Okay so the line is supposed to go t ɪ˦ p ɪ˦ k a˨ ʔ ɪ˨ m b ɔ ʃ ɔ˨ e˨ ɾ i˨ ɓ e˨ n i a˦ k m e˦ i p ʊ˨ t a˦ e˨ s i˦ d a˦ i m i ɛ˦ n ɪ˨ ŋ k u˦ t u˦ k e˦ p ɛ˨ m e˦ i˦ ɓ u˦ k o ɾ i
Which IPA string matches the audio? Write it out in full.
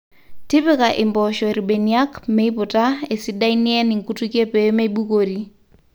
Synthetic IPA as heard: t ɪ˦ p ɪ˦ k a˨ ʔ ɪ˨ m b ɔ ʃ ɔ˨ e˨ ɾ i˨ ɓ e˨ n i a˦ k m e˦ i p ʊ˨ t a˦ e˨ s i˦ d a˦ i n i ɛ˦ n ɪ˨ ŋ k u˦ t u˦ k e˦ p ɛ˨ m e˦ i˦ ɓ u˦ k o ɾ i